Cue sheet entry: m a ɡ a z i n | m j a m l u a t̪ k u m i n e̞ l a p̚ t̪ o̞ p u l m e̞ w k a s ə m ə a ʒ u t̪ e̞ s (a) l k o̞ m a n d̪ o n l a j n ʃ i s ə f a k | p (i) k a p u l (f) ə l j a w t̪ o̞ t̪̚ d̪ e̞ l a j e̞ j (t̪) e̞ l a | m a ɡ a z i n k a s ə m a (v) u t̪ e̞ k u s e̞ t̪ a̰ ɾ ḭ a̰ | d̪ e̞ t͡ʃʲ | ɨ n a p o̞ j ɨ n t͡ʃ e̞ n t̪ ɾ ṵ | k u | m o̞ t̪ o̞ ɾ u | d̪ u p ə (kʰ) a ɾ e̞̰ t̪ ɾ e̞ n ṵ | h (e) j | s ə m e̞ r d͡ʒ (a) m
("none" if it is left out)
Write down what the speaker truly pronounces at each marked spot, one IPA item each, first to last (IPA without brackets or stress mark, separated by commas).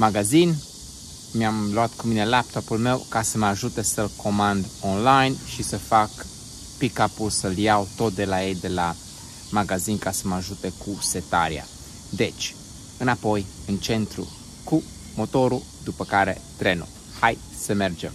ə, i, s, d̪, ʒ, k, a, e